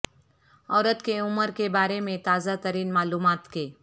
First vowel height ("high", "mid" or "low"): mid